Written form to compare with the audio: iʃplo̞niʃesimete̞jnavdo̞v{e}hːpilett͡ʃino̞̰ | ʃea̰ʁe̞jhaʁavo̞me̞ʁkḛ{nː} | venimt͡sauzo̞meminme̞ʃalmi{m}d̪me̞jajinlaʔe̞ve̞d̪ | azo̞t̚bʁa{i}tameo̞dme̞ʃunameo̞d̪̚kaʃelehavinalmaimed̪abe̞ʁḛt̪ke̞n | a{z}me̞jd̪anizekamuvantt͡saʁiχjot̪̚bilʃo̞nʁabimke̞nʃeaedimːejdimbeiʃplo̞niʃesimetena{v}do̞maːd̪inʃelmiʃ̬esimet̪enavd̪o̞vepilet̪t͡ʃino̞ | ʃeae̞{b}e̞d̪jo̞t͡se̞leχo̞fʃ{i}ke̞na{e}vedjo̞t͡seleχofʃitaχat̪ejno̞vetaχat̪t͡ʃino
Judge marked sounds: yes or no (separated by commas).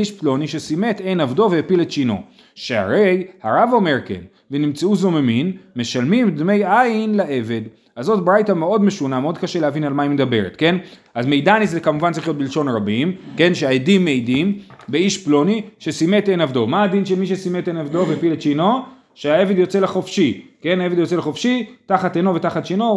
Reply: yes, no, yes, no, yes, yes, no, yes, yes